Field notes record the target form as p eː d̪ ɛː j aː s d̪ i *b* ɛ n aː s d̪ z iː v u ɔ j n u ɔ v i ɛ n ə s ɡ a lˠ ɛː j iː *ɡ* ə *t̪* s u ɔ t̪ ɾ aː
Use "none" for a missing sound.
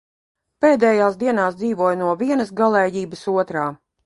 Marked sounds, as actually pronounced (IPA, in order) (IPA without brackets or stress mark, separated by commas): none, b, none